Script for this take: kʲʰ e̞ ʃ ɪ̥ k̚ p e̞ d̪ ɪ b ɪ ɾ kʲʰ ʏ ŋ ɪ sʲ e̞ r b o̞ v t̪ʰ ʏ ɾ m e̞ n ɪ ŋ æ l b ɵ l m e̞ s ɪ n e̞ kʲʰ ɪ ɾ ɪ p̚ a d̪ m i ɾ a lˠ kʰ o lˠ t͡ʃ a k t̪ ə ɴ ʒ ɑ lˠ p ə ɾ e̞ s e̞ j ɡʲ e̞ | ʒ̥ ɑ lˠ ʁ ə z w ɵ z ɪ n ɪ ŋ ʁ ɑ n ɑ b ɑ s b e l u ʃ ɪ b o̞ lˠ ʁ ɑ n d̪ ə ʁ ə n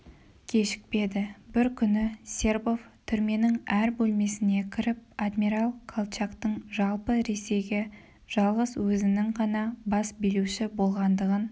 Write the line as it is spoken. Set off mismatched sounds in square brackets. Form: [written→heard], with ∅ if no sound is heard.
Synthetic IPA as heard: kʲʰ e̞ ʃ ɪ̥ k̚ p e̞ d̪ ɪ b ɪ ɾ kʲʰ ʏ [ŋ→n] ɪ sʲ e̞ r b o̞ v t̪ʰ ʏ ɾ m e̞ n ɪ ŋ æ [l→ɾ] b ɵ l m e̞ s ɪ n e̞ kʲʰ ɪ ɾ ɪ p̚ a d̪ m i ɾ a lˠ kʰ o lˠ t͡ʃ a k t̪ ə ɴ ʒ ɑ lˠ p ə ɾ e̞ s e̞ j ɡʲ e̞ | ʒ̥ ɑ lˠ ʁ ə z w ɵ z ɪ n ɪ ŋ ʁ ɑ n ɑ b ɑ s b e l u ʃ ɪ b o̞ lˠ ʁ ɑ n d̪ ə ʁ ə n